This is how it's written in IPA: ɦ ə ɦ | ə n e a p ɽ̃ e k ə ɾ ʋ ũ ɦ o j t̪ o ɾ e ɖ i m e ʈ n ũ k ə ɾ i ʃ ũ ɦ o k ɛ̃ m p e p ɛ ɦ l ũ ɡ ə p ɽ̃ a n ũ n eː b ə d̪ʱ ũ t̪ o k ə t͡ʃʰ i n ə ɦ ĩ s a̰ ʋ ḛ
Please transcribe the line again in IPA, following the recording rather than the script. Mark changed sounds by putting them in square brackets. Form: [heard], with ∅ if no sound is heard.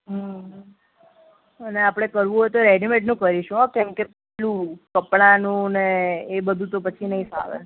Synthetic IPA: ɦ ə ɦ | ə n e a p ɽ̃ e k ə ɾ ʋ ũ ɦ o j t̪ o ɾ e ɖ i m e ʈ n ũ k ə ɾ i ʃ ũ ɦ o k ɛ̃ m [k] e p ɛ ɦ l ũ [k] ə p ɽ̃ a n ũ n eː b ə d̪ʱ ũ t̪ o [p] ə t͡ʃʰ i n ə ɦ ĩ s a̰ ʋ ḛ